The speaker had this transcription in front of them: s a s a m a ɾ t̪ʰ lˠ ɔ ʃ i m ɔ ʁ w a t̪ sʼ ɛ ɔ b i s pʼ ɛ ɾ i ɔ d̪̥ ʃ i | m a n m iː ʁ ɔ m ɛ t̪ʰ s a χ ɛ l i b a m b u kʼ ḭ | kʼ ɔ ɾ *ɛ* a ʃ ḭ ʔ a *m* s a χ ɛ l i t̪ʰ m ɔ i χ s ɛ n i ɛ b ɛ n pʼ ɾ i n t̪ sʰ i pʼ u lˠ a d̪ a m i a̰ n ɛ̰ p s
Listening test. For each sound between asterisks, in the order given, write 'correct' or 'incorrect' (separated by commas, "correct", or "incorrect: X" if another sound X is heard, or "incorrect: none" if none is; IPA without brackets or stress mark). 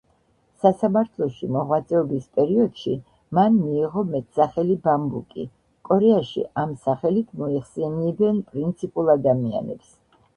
correct, correct